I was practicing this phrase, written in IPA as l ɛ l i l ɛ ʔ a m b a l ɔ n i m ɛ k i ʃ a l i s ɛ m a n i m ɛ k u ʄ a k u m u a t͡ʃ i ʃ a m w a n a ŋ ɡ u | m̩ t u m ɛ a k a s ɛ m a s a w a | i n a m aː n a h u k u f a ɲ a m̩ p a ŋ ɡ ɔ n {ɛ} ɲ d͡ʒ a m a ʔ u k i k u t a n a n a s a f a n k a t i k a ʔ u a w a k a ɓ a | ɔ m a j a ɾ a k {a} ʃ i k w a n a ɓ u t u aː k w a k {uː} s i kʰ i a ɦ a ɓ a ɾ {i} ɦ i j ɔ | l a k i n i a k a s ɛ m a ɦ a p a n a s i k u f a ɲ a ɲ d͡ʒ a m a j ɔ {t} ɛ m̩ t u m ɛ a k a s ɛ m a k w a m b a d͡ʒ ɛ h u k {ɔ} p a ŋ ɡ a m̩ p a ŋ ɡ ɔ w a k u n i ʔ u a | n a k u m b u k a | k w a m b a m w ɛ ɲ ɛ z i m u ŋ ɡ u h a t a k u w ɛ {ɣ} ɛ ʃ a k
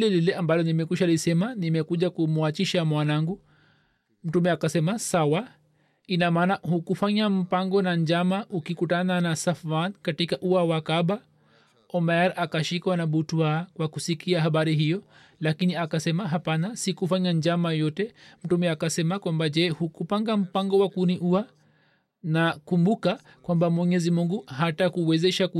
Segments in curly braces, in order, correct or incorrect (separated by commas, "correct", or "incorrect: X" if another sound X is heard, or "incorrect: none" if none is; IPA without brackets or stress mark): incorrect: a, correct, incorrect: u, correct, correct, incorrect: u, incorrect: z